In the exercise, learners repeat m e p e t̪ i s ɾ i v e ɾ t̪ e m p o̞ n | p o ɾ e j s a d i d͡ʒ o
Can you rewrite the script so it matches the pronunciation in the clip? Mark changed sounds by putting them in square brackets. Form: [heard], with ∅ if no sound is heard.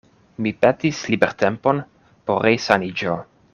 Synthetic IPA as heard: m [i] p e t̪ i s [l] i [b] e ɾ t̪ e m p o̞ n | p o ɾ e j s a [n] i d͡ʒ o